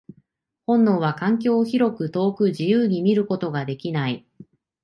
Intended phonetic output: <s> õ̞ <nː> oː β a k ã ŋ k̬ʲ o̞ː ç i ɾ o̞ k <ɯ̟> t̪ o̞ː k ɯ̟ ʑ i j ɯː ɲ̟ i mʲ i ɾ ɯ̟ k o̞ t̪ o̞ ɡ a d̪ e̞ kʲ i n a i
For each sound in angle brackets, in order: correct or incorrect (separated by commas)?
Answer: incorrect, correct, correct